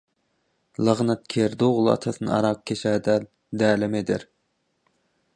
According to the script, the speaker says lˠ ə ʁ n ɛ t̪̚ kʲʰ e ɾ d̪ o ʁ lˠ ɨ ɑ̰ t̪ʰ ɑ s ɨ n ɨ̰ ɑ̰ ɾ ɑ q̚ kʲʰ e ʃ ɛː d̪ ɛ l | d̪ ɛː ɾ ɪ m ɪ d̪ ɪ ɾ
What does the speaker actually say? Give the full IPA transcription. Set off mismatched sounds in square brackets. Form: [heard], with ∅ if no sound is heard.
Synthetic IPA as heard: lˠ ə ʁ n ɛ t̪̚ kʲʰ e ɾ d̪ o ʁ lˠ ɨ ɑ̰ t̪ʰ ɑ s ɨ n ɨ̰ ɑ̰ ɾ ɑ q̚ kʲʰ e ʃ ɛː d̪ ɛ l | d̪ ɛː [l] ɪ m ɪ d̪ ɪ ɾ